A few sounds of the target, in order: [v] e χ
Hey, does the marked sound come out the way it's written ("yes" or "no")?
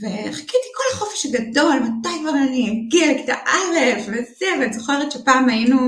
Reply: yes